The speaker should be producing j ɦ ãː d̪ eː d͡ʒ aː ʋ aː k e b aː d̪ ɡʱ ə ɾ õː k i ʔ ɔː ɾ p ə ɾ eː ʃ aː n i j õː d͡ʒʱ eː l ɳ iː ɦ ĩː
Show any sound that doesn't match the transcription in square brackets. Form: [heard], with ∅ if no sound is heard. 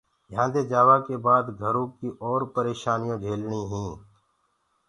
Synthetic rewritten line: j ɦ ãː d̪ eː d͡ʒ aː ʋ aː k e b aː d̪ ɡʱ ə ɾ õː k i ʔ ɔː ɾ p ə ɾ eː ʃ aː n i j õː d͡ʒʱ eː l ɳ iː ɦ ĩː